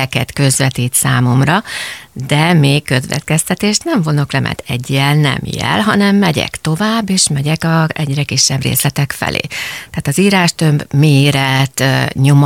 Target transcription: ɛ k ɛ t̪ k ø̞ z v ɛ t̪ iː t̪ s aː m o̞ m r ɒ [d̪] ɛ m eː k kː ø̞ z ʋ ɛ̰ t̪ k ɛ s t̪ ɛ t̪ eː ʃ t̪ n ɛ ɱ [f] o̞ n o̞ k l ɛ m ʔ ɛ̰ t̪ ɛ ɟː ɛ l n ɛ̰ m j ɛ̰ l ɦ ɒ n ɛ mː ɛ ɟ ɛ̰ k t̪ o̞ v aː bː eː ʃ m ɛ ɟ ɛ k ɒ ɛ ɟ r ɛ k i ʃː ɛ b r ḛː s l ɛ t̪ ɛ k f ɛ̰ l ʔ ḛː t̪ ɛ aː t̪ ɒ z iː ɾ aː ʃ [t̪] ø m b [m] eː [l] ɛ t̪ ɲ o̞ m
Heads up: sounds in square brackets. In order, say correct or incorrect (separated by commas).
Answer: correct, incorrect, correct, correct, incorrect